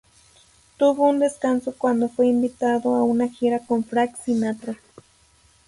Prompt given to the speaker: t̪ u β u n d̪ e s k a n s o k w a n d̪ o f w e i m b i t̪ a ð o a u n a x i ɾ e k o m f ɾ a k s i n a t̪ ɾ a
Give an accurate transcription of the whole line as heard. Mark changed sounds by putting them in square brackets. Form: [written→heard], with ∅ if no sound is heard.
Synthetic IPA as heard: t̪ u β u n d̪ e s k a n s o k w a n d̪ o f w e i m b i t̪ a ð o a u n a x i ɾ [e→a] k o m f ɾ a k s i n a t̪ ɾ a

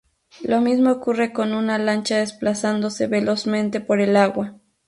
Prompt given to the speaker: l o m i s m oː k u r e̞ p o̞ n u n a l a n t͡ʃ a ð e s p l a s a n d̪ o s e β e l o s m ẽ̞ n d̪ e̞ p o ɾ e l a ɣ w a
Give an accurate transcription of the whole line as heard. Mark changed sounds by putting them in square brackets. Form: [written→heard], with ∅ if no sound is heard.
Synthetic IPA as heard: l o m i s m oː k u r e̞ [p→k] o̞ n u n a l a n t͡ʃ a ð e s p l a s a n d̪ o s e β e l o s m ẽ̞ n [d̪→t̪] e̞ p o ɾ e l a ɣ w a

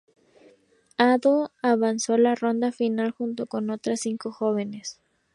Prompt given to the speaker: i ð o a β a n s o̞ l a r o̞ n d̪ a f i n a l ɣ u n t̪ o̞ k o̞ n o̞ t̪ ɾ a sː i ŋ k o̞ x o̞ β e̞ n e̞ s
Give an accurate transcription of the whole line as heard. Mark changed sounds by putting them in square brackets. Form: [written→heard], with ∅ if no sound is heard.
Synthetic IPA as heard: [i→a] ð o a β a n s o̞ l a r o̞ n d̪ a f i n a l [ɣ→x] u n t̪ o̞ k o̞ n o̞ t̪ ɾ a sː i ŋ k o̞ x o̞ β e̞ n e̞ s

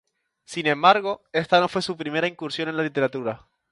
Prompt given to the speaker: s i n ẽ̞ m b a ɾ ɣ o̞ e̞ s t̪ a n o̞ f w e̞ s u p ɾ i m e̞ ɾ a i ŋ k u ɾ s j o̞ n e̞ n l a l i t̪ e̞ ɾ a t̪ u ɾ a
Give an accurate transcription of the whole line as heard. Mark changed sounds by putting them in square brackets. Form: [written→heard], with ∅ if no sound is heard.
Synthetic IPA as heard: s i n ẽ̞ m b a ɾ ɣ o̞ e̞ s t̪ a n o̞ f w e̞ s u p ɾ i m e̞ ɾ a i ŋ k u ɾ s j o̞ n e̞ n l a l i t̪ e̞ ɾ a t̪ u ɾ a

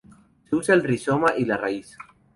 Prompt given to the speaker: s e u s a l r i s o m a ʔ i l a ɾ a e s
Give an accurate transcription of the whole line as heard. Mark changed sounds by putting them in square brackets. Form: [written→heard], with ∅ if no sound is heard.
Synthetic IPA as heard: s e u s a l r i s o m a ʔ i l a [ɾ→r] a [e→i] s

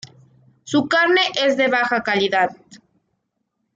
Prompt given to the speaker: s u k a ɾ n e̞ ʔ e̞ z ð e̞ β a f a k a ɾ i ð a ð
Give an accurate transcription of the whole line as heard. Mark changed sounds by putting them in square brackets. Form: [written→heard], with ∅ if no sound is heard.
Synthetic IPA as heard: s u k a ɾ n e̞ ʔ e̞ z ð e̞ β a [f→x] a k a [ɾ→l] i ð a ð

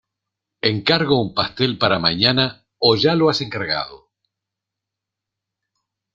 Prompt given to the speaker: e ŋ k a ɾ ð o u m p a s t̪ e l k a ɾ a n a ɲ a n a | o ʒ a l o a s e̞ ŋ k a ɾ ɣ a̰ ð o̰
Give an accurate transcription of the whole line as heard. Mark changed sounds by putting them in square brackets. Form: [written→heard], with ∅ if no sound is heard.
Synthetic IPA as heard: e ŋ k a ɾ [ð→ɣ] o u m p a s t̪ e l [k→p] a ɾ a [n→m] a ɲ a n a | o ʒ a l o a s e̞ ŋ k a ɾ ɣ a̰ ð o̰

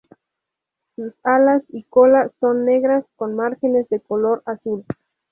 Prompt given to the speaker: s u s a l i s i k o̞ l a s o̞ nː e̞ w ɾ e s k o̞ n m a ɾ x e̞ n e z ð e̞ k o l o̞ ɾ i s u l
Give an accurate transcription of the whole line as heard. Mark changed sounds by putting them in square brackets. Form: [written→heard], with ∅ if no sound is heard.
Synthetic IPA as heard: s u s a l [i→a] s i k o̞ l a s o̞ nː e̞ [w→ɣ] ɾ [e→a] s k o̞ n m a ɾ x e̞ n e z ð e̞ k o l o̞ ɾ [i→a] s u l

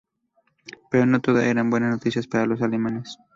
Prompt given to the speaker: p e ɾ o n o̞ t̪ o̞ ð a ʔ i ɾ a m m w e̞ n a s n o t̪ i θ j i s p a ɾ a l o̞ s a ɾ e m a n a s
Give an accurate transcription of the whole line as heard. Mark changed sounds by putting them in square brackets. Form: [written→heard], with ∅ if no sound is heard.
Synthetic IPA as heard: p e ɾ o n o̞ t̪ o̞ ð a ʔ [i→e] ɾ a m [m→b] w e̞ n a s n o t̪ i [θ→s] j [i→a] s p a ɾ a l o̞ s a [ɾ→l] e m a n [a→e] s

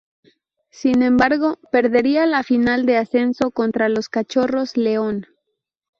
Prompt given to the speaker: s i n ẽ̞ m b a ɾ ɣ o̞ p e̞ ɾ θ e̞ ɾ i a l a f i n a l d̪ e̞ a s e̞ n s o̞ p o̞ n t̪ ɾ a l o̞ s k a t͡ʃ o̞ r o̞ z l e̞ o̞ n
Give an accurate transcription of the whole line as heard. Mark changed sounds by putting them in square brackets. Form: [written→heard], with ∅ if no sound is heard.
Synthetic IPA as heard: s i n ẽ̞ m b a ɾ ɣ o̞ p e̞ ɾ [θ→ð] e̞ ɾ i a l a f i n a l d̪ e̞ a s e̞ n s o̞ [p→k] o̞ n t̪ ɾ a l o̞ s k a t͡ʃ o̞ r o̞ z l e̞ o̞ n

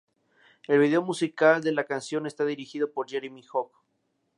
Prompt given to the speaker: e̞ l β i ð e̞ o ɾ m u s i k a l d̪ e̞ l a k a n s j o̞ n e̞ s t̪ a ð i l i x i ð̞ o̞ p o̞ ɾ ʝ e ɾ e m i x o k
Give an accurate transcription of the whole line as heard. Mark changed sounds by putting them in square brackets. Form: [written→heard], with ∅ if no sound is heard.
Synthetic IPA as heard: e̞ l β i ð e̞ o [ɾ→∅] m u s i k a l d̪ e̞ l a k a n s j o̞ n e̞ s t̪ a ð i [l→ɾ] i x i ð̞ o̞ p o̞ ɾ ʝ e ɾ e m i x o k

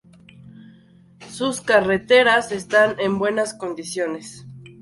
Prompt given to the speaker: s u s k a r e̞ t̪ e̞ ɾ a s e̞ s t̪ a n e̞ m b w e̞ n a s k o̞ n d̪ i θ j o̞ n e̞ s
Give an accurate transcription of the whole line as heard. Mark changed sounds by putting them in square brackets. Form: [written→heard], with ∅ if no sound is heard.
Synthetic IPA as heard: s u s k a r e̞ t̪ e̞ ɾ a s e̞ s t̪ a n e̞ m b w e̞ n a s k o̞ n d̪ i [θ→s] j o̞ n e̞ s

